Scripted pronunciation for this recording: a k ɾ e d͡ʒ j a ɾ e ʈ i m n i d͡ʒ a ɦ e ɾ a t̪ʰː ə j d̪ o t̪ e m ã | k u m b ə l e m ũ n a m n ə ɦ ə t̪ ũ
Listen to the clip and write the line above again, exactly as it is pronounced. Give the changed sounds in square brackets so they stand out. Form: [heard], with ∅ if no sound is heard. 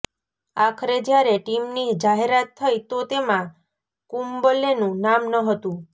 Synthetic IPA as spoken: a [kʰ] ɾ e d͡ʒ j a ɾ e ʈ i m n i d͡ʒ a ɦ e ɾ a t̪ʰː ə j [t̪] o t̪ e m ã | k u m b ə l e [n] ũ n a m n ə ɦ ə t̪ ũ